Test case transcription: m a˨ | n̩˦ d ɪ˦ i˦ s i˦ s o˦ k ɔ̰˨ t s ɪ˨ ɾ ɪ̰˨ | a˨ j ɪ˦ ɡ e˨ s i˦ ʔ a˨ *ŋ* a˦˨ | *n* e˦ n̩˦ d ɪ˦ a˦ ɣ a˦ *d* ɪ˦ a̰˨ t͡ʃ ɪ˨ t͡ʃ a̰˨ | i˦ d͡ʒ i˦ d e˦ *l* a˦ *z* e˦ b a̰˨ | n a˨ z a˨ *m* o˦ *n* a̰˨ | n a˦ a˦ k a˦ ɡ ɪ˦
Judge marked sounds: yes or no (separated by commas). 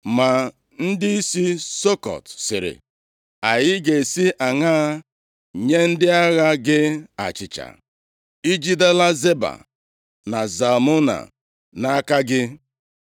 yes, no, no, yes, yes, yes, yes